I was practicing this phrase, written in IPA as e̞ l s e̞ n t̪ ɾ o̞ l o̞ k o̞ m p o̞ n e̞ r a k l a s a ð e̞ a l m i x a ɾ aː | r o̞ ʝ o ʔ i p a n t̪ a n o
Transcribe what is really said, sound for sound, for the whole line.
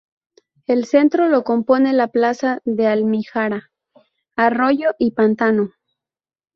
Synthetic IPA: e̞ l s e̞ n t̪ ɾ o̞ l o̞ k o̞ m p o̞ n e̞ l a p l a s a ð e̞ a l m i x a ɾ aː | r o̞ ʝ o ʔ i p a n t̪ a n o